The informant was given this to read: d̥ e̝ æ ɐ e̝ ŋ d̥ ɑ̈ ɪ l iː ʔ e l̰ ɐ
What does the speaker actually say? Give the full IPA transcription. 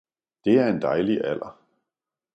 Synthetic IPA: d̥ e̝ æ ɐ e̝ n d̥ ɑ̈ ɪ l i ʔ æ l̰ ɐ

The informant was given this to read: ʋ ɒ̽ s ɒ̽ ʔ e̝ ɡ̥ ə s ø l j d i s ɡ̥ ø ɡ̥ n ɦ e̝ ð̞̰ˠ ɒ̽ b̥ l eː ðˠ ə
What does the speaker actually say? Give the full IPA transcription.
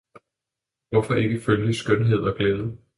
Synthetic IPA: ʋ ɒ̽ f ɒ̽ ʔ e̝ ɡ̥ ə f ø l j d i s ɡ̥ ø n ɦ e̝ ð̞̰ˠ ɒ̽ ɡ̥ l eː ðˠ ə

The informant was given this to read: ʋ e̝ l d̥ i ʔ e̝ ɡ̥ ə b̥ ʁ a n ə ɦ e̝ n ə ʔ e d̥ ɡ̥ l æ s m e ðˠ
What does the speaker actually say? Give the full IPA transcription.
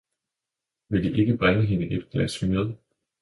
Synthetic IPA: ʋ e̝ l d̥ i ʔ e̝ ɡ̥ ə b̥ ʁ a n ə ɦ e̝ n ə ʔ e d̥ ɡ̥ l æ s m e ðˠ

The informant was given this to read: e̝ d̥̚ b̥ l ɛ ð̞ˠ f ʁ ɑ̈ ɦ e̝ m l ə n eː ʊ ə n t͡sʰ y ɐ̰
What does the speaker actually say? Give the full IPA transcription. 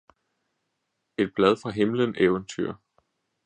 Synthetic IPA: e̝ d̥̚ b̥ l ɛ ð̞ˠ f ʁ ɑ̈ ɦ e̝ m l ə n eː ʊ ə n t͡sʰ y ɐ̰

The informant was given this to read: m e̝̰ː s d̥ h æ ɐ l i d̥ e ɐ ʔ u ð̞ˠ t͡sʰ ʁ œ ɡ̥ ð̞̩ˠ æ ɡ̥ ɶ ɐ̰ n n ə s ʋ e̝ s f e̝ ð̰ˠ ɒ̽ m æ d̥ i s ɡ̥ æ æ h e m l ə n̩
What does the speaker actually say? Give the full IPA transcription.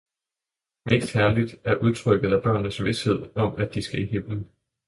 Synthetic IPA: m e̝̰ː s d̥ h æ ɐ l i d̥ æ ɐ ʔ u ð̞ˠ t͡sʰ ʁ œ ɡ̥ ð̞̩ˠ æ b̥ ɶ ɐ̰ n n ə s ʋ e̝ s h e̝ ð̰ˠ ɒ̽ m æ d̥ i s ɡ̥ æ i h e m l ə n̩

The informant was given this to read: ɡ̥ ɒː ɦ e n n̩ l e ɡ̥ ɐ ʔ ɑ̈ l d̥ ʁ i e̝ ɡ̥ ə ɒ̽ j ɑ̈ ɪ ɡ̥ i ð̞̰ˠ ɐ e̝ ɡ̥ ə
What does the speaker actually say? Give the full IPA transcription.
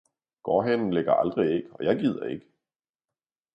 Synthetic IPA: ɡ̥ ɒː ɦ e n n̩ l e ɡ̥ ɐ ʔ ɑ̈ l d̥ ʁ i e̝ ɡ̥ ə ɒ̽ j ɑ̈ ɪ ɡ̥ i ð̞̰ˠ ɐ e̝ ɡ̥ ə

